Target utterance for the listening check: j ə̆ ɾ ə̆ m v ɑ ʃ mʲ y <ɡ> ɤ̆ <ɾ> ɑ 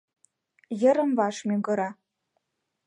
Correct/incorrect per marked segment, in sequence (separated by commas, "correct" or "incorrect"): correct, correct